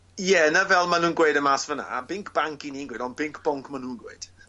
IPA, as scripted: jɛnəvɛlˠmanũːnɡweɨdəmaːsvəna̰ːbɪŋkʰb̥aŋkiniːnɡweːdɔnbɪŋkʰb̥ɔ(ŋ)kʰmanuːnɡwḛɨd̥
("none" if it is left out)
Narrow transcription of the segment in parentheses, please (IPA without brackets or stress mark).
ŋ